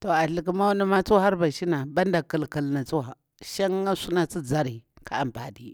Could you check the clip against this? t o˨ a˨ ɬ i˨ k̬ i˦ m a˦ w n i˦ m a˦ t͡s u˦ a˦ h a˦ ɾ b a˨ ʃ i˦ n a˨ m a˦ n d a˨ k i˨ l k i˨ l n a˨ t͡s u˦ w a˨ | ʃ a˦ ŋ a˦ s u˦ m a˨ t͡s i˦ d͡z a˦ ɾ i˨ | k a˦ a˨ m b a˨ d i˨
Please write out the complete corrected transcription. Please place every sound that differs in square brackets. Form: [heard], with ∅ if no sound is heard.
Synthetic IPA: t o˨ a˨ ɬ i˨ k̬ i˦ m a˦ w n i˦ m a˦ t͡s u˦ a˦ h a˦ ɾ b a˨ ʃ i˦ n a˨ [b] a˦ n d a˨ k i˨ l k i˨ l n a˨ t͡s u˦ w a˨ | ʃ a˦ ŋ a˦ s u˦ [n] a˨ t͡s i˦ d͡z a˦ ɾ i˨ | k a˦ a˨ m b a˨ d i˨

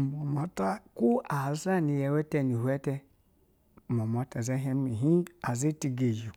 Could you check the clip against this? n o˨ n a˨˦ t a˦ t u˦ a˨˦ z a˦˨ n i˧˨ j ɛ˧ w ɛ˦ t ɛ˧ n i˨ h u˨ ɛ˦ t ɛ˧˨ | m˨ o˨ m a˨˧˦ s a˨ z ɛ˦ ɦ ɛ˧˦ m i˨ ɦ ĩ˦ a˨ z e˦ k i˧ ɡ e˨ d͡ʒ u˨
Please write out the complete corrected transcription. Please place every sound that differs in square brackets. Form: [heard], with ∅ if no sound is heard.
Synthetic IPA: [m] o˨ [m] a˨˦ t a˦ [k] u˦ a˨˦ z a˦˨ n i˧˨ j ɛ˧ w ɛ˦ t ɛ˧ n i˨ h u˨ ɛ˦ t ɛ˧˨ | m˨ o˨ m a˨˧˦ [t] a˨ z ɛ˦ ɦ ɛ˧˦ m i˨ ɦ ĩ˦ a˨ z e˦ [t] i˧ ɡ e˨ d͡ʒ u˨

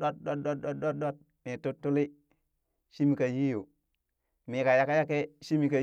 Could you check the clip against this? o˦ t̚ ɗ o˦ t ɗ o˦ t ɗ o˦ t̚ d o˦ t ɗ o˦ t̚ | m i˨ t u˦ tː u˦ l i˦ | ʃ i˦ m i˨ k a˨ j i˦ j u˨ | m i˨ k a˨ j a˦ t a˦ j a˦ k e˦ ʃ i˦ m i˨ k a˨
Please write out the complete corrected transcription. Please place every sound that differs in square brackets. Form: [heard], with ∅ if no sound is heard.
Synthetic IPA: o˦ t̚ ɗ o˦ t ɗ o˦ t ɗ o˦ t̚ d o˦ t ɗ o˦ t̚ | m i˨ t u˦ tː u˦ l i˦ | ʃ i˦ m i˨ k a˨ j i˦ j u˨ | m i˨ k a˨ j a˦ [k] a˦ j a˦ k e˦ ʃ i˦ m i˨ k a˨

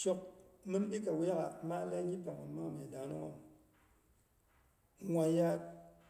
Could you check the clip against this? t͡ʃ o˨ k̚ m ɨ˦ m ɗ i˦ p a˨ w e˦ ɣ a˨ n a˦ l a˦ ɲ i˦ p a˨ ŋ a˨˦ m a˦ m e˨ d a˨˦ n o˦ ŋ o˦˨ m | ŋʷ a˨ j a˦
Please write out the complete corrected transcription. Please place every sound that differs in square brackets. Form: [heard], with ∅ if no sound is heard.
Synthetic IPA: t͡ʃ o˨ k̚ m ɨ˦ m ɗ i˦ [k] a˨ w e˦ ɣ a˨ [m] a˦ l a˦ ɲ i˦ p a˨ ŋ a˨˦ m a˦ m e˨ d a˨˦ n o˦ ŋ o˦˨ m | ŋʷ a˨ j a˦

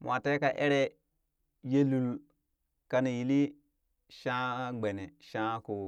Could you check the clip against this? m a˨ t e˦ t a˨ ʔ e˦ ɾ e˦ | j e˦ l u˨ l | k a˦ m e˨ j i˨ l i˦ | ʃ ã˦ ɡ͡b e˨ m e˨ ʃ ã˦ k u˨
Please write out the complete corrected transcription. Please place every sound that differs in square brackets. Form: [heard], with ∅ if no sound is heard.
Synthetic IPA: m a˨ t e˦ [k] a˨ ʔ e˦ ɾ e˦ | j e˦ l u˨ l | k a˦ [n] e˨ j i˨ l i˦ | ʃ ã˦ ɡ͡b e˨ [n] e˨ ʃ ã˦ k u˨

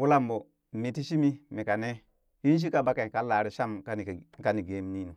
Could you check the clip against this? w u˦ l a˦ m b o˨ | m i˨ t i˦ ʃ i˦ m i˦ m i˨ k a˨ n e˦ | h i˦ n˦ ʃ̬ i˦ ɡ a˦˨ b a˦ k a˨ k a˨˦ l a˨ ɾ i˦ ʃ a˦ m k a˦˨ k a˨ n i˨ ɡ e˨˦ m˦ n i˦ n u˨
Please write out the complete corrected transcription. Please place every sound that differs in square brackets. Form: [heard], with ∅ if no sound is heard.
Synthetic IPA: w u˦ l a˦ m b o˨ | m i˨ t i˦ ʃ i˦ m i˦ m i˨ k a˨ n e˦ | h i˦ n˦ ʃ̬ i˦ [k] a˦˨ b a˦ k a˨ k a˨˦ l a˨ ɾ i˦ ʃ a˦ m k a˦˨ k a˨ n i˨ ɡ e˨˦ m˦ n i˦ n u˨

